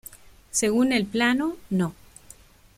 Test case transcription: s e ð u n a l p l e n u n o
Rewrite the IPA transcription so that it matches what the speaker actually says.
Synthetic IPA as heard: s e ɣ u n e l p l a n o n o